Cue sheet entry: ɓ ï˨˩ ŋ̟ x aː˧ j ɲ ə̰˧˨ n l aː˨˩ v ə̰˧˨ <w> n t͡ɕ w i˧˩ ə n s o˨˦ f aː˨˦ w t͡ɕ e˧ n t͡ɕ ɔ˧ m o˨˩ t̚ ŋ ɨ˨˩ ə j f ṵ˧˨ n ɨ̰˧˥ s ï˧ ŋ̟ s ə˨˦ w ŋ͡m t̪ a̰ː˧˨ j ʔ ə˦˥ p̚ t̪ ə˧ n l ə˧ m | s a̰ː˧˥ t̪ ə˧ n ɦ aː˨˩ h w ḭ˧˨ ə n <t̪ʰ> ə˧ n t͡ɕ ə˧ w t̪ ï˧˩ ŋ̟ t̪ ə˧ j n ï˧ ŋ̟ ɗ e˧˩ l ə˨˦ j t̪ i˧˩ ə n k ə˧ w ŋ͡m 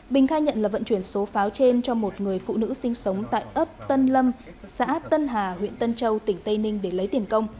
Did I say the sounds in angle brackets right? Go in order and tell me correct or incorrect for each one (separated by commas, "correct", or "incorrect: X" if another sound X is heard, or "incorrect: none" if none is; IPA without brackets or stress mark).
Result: incorrect: none, incorrect: t̪